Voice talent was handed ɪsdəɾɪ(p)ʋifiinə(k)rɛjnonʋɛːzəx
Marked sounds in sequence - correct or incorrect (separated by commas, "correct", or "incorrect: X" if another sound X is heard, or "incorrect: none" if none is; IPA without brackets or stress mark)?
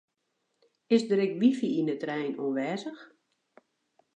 incorrect: k, incorrect: t